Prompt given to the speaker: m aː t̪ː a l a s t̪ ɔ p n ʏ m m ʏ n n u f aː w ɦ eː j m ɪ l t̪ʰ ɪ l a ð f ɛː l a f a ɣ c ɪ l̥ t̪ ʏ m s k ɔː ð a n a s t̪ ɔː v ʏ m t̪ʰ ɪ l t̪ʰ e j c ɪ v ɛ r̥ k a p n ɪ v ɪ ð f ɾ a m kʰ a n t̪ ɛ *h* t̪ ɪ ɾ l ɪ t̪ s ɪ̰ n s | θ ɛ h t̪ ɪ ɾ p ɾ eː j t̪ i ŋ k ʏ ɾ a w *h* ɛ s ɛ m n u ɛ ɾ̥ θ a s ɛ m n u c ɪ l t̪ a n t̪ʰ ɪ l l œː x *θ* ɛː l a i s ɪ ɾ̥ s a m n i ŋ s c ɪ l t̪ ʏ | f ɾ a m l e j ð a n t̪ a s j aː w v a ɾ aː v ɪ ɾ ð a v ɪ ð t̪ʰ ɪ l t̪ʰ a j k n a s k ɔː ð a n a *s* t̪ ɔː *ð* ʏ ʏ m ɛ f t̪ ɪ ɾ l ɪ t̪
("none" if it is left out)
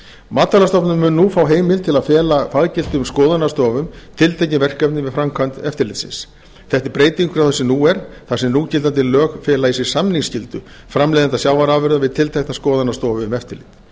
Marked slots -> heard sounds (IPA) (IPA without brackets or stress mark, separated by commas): f, θ, f, s, v